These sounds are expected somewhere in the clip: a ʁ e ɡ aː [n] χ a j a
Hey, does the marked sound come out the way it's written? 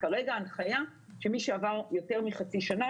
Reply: yes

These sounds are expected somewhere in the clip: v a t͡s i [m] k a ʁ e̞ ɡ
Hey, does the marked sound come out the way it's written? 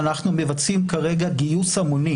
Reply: yes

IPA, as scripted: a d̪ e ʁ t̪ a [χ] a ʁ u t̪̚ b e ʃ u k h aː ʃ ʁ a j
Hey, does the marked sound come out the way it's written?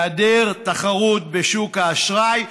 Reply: yes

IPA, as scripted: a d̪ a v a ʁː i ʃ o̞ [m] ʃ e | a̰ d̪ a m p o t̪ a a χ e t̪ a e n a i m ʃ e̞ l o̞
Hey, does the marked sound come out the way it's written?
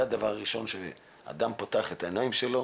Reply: no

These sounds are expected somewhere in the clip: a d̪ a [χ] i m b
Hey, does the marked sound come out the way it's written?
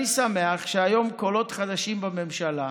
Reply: no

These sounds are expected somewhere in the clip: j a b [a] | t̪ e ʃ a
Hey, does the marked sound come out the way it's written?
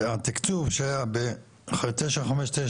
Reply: no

